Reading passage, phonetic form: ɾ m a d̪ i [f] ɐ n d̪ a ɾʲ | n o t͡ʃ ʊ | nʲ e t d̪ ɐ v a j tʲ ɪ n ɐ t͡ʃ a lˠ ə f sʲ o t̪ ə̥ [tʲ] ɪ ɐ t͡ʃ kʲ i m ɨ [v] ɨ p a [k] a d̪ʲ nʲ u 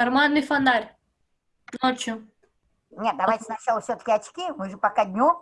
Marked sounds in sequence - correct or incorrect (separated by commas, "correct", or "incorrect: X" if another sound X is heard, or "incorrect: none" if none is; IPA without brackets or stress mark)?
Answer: correct, incorrect: kʲ, incorrect: ʐ, correct